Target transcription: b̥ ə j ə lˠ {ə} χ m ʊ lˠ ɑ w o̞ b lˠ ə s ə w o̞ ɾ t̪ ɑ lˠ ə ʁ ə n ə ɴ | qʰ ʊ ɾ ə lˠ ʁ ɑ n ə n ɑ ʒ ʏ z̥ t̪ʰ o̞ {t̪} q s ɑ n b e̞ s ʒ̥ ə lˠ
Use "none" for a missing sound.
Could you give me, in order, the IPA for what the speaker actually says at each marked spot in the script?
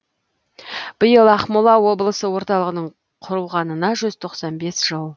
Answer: ɑ, none

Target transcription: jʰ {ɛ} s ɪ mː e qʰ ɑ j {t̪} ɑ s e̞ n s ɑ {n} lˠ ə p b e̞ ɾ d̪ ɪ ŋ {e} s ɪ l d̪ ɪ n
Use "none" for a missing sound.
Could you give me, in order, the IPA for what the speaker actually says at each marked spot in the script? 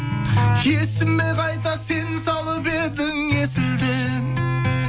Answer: e, t̪, none, e

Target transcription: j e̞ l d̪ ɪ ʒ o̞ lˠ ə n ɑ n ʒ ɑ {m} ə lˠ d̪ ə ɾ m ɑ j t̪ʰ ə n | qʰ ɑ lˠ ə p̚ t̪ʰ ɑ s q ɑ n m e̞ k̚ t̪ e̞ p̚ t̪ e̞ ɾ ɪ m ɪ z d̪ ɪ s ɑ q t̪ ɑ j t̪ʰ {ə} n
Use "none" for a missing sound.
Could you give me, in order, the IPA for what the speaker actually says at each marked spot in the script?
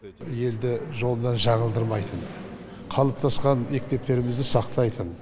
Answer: ɴ, ə

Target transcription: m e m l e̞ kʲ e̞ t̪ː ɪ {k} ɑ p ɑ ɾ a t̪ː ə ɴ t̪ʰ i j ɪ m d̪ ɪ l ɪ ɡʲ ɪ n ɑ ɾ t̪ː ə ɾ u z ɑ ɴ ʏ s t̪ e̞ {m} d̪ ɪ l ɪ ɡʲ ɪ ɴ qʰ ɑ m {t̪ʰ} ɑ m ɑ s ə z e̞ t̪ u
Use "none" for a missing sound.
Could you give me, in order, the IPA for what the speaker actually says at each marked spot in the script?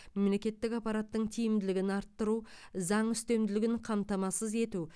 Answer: k, m, t̪

